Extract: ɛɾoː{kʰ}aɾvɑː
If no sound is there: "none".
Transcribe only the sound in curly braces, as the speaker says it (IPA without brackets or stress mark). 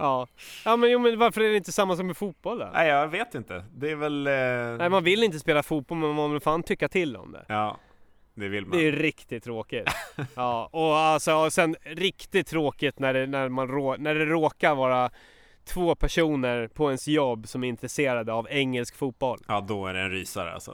k